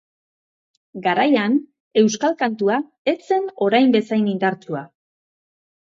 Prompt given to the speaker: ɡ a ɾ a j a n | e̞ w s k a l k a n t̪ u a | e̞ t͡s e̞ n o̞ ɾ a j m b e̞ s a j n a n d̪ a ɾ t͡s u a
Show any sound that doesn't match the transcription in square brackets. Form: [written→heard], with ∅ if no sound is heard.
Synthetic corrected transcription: ɡ a ɾ a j a n | e̞ w s k a l k a n t̪ u a | e̞ t͡s e̞ n o̞ ɾ a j m b e̞ s a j n [a→i] n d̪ a ɾ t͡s u a